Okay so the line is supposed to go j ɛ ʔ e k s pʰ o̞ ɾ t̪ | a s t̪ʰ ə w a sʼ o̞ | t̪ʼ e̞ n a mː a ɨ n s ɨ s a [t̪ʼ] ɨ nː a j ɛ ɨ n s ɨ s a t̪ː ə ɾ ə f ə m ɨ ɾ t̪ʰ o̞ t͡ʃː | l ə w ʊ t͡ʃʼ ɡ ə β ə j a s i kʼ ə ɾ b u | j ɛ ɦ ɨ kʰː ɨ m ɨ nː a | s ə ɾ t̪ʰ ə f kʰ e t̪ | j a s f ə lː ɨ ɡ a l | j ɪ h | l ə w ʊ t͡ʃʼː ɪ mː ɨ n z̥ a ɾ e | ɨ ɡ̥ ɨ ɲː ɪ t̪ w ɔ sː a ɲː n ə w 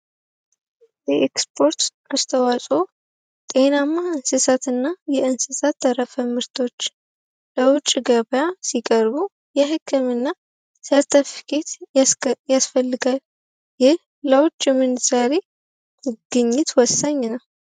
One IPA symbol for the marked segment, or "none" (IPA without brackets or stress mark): t̪